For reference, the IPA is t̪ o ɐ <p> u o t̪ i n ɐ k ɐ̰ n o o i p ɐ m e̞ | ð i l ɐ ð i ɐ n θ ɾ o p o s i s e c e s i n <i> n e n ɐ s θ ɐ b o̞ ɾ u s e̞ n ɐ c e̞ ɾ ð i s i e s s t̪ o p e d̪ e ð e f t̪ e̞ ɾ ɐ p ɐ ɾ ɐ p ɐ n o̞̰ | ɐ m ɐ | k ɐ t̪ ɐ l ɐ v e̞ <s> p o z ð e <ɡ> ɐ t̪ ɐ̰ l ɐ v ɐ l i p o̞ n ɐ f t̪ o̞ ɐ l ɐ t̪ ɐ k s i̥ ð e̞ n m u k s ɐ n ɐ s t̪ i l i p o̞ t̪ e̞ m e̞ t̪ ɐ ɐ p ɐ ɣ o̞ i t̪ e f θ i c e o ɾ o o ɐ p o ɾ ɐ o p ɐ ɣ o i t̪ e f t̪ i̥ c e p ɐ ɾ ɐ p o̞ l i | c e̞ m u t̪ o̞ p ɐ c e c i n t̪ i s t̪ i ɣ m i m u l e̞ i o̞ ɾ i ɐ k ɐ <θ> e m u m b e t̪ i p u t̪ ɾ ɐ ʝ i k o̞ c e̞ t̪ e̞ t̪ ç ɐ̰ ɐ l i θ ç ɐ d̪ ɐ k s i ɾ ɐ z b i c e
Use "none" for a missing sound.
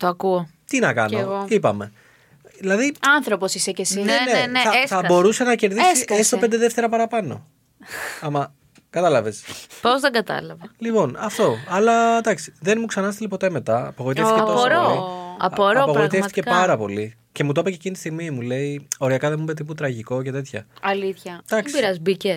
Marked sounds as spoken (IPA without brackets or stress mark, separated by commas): k, e, s, ɡ, ð